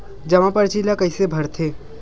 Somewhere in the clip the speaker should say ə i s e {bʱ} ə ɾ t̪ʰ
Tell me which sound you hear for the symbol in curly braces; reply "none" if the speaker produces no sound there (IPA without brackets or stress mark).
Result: bʱ